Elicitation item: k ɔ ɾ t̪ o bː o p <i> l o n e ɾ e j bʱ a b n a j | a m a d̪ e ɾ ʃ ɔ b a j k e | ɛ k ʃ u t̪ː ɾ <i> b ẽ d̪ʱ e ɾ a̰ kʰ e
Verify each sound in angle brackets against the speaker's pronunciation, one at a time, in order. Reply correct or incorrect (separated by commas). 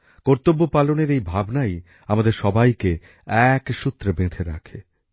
incorrect, incorrect